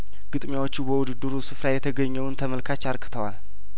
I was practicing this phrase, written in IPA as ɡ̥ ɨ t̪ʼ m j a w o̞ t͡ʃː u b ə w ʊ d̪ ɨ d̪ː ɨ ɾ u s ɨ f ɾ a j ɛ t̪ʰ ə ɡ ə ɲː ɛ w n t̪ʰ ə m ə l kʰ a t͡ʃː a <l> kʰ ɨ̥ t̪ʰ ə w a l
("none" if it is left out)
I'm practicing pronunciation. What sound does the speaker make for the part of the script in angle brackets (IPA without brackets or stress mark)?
ɾ